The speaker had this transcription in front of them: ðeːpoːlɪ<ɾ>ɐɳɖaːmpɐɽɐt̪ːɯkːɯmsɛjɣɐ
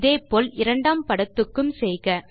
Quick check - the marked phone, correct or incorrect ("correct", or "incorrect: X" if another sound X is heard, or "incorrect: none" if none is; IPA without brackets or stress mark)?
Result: correct